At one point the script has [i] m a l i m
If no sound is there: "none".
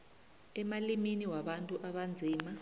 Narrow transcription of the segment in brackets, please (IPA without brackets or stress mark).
ɛ